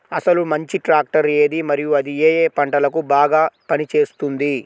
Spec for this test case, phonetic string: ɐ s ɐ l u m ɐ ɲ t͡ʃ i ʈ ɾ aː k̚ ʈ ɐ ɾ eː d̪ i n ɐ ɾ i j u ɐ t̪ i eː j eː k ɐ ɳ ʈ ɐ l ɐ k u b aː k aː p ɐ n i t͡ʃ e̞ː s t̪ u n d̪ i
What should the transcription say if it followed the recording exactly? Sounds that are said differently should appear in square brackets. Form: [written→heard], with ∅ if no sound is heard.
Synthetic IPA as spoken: ɐ s ɐ l u m ɐ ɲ t͡ʃ i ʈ ɾ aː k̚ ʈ ɐ ɾ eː d̪ i [n→m] ɐ ɾ i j u ɐ [t̪→d̪] i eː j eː [k→p] ɐ ɳ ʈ ɐ l ɐ k u b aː [k→ɡ] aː p ɐ n i t͡ʃ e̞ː s t̪ u n d̪ i